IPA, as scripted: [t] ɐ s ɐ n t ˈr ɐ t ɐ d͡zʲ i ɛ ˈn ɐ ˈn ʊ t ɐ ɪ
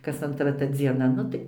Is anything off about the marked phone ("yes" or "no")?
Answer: yes